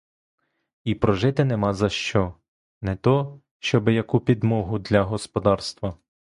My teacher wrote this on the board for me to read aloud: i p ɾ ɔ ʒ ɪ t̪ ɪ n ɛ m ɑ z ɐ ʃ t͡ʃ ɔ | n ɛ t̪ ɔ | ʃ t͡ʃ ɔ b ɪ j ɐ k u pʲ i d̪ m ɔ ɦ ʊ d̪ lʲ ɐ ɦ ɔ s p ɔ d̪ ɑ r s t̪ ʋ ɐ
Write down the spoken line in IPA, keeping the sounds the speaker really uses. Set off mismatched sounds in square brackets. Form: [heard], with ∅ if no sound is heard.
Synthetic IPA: i p ɾ ɔ ʒ ɪ t̪ ɪ n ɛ m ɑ z ɐ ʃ t͡ʃ ɔ | n ɛ t̪ ɔ | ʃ t͡ʃ ɔ b ɪ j ɐ k u pʲ i d̪ m ɔ ɦ ʊ d̪ lʲ ɐ ɦ ɔ s p ɔ d̪ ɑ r s t̪ ʋ ɐ